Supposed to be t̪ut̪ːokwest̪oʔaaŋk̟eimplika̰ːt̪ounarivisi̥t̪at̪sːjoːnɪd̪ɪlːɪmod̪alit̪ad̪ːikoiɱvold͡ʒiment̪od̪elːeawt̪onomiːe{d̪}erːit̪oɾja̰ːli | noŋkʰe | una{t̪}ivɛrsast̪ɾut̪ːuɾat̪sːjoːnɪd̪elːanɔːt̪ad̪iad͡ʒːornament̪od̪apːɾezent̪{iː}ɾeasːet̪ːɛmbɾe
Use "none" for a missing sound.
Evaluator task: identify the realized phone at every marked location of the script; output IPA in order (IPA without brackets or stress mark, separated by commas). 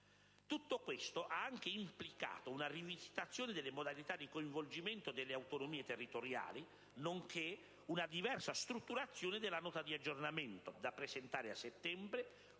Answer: t̪, d̪, aː